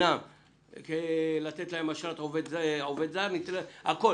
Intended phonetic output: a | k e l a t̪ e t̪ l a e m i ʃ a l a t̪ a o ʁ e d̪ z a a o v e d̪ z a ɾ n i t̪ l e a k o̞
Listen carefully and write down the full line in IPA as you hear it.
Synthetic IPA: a | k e l a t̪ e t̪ l a e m a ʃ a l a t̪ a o v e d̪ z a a o v e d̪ z a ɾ n i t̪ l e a k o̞